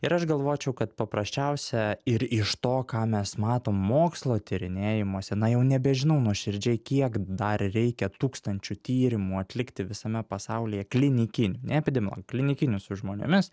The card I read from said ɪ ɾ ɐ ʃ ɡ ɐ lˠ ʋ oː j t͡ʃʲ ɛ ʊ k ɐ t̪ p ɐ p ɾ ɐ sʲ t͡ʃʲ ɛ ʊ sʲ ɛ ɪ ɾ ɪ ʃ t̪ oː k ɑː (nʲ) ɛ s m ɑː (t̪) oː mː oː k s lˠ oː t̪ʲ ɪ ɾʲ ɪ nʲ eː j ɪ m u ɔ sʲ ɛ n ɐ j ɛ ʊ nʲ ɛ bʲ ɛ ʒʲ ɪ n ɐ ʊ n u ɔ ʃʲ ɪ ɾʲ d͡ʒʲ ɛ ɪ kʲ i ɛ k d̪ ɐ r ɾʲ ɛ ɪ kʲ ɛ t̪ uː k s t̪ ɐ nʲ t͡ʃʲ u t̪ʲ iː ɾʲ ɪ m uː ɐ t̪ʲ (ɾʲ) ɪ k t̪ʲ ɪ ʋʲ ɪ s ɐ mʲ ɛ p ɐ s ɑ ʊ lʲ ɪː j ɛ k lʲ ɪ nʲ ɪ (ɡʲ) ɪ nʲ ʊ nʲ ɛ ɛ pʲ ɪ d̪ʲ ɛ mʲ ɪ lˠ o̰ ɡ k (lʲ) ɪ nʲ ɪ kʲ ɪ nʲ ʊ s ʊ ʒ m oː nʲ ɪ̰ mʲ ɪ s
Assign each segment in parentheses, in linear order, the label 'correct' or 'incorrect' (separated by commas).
incorrect, correct, incorrect, incorrect, correct